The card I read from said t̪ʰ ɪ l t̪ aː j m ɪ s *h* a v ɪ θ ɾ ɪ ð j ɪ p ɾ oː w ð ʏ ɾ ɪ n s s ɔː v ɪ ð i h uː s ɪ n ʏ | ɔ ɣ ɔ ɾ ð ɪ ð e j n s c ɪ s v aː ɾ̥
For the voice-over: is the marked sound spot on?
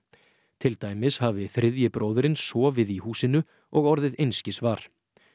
yes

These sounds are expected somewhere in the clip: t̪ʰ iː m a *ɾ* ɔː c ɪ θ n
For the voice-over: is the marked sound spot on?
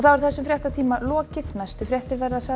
no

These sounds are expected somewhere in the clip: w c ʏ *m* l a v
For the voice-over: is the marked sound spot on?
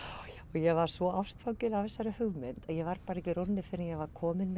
no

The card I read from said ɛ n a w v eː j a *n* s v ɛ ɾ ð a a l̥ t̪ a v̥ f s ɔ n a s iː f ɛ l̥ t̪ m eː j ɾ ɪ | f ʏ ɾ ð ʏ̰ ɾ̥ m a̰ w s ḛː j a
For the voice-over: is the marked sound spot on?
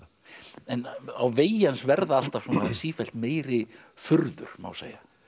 yes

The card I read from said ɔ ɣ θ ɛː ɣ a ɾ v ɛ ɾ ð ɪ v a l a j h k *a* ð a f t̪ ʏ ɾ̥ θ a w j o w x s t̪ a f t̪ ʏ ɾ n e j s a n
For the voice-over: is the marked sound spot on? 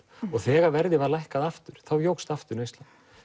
yes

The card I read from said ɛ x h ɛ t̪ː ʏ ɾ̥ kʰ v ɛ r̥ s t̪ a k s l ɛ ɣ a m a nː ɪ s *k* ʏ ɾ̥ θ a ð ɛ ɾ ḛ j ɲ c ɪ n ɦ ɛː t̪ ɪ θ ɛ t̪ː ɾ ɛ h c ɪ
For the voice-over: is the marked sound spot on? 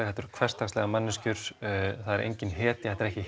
no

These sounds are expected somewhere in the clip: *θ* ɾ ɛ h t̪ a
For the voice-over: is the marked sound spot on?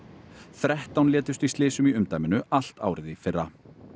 yes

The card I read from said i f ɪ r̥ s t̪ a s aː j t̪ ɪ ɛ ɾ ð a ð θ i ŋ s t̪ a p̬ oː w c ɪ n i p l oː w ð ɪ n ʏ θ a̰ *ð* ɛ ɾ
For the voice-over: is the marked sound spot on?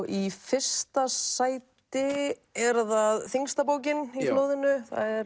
yes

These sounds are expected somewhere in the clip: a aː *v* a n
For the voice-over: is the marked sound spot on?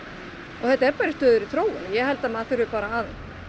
no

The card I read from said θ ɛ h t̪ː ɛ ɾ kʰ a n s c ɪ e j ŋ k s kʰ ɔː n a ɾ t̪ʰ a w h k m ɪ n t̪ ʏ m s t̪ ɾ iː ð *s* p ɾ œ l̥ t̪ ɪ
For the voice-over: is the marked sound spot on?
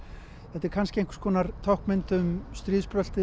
yes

